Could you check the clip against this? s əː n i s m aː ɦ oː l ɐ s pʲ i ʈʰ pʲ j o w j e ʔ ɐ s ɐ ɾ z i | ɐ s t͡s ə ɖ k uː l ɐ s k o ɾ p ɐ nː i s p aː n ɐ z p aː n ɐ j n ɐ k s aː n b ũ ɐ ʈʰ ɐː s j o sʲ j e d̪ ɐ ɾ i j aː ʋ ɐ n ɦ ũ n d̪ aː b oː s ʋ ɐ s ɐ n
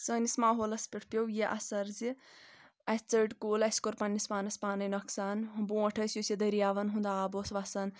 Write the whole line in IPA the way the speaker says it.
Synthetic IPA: s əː n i s m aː ɦ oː l ɐ s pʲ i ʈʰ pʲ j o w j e ʔ ɐ s ɐ ɾ z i | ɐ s t͡s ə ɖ k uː l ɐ s k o ɾ p ɐ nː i s p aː n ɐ s p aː n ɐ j n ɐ k s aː n b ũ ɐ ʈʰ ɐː s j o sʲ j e d̪ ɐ ɾ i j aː ʋ ɐ n ɦ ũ n d̪ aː b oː s ʋ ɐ s ɐ n